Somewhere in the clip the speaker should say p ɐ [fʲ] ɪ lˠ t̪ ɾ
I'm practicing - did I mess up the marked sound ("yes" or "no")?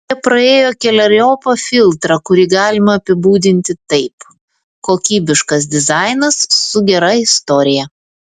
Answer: no